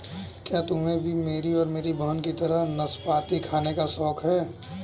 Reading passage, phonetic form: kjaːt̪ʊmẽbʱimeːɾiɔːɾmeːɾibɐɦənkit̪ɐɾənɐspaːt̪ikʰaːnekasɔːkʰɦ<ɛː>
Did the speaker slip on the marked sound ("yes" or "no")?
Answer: no